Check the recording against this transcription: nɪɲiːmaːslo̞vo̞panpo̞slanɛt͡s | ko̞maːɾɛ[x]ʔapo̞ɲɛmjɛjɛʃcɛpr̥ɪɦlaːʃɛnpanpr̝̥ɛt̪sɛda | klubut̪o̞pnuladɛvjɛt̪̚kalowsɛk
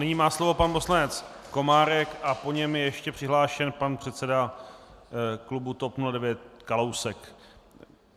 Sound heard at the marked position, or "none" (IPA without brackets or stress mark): k